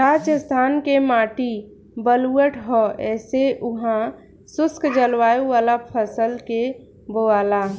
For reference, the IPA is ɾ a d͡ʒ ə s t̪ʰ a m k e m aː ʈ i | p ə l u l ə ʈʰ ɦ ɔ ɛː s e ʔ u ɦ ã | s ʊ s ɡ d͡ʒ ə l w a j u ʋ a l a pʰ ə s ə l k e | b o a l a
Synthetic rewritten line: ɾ a d͡ʒ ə s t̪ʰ a n k e m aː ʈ i | b ə l u ə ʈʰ ɦ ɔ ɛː s e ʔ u ɦ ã | s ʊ s k d͡ʒ ə l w a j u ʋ a l a pʰ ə s ə l k e | b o a l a